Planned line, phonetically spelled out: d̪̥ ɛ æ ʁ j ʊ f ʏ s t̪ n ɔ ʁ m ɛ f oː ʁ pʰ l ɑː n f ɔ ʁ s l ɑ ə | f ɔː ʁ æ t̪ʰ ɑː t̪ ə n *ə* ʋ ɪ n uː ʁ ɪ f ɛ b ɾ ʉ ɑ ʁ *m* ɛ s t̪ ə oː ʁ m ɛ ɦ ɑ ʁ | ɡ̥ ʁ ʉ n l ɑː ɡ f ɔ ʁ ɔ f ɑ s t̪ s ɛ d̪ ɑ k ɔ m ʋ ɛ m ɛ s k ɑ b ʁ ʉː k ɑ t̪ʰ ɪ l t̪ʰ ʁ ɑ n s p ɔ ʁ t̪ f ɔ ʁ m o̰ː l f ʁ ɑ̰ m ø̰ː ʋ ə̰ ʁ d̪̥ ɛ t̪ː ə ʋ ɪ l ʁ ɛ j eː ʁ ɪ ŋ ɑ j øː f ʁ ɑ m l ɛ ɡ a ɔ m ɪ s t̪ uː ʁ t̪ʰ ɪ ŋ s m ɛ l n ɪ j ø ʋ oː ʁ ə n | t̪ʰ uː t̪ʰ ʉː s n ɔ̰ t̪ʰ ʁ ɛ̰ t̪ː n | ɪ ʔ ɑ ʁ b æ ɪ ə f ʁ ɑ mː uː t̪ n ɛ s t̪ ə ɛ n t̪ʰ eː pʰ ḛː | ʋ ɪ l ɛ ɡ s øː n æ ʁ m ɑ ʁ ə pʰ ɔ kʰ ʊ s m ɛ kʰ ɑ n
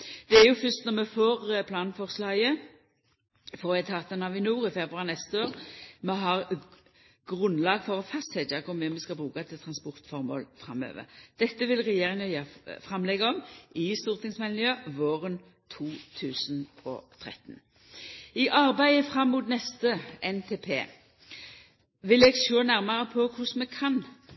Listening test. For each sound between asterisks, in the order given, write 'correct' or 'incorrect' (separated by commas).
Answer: incorrect, incorrect